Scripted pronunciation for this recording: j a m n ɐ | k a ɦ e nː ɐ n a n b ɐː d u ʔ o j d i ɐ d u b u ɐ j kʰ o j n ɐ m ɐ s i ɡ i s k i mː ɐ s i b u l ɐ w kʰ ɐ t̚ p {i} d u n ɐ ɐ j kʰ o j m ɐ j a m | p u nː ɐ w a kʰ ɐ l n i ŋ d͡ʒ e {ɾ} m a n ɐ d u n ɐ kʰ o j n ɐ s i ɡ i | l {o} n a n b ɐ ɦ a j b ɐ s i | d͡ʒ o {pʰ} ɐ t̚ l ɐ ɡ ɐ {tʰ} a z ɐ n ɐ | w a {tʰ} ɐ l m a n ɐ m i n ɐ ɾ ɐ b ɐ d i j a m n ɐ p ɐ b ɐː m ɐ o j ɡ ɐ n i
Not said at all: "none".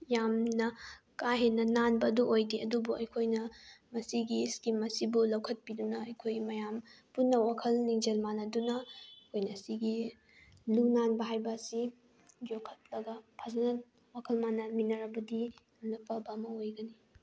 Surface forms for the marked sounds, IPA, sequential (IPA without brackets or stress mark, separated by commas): i, l, u, kʰ, pʰ, kʰ